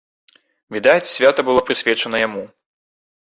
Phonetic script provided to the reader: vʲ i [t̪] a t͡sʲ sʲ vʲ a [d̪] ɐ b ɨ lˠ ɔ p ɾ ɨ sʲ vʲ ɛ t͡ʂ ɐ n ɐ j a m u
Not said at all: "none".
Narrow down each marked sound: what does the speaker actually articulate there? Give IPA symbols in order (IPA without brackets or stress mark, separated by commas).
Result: d̪, t̪